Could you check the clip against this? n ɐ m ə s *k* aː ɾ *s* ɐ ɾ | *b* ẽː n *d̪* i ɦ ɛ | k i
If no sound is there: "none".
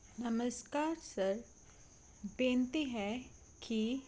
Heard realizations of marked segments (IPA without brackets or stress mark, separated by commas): k, s, b, t̪